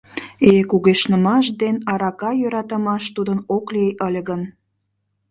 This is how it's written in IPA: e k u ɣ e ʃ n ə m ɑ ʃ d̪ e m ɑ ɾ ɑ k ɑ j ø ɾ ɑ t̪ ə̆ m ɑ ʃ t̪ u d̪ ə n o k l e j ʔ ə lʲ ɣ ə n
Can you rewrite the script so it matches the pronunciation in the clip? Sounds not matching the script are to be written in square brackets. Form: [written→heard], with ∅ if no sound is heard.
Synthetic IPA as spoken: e k u ɣ e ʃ n ə m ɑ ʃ d̪ e [m→n] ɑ ɾ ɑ k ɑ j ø ɾ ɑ t̪ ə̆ m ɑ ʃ t̪ u d̪ ə n o k l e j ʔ ə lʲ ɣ ə n